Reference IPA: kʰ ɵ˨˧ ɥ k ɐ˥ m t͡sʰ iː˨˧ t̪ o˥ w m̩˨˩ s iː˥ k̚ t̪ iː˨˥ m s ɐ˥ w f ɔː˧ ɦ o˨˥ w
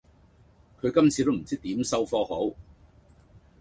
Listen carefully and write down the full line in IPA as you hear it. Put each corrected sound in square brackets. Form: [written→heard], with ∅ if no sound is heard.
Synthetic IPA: kʰ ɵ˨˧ ɥ k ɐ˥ m t͡sʰ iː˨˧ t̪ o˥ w m̩˨˩ [s→t͡s] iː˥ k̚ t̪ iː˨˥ m s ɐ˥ w f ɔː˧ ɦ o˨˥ w